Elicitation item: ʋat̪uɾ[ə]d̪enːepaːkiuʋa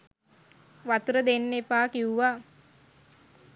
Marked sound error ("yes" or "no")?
no